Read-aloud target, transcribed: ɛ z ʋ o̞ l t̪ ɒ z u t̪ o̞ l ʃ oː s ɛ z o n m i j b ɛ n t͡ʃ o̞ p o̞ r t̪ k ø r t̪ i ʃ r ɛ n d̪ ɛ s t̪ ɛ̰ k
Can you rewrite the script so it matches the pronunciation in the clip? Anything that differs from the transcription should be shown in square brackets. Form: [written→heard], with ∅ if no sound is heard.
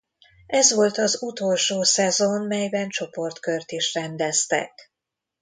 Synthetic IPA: ɛ z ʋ o̞ l t̪ ɒ z u t̪ o̞ l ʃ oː s ɛ z o n m [i→ɛ] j b ɛ n t͡ʃ o̞ p o̞ r t̪ k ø r t̪ i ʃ r ɛ n d̪ ɛ s t̪ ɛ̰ k